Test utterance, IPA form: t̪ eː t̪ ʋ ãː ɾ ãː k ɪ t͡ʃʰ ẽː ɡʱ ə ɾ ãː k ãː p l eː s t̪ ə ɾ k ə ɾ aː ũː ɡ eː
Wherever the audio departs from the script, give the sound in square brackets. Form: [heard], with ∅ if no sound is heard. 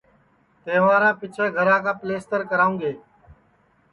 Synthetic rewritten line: t̪ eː [∅] ʋ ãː ɾ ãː [p] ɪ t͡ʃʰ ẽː ɡʱ ə ɾ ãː k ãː p l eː s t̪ ə ɾ k ə ɾ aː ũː ɡ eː